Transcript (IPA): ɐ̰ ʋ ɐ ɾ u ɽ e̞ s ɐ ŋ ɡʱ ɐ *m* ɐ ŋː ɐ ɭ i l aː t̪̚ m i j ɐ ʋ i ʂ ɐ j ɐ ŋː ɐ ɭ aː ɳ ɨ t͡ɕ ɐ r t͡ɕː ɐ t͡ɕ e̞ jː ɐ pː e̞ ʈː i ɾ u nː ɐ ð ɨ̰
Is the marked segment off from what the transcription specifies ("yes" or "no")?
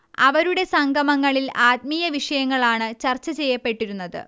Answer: no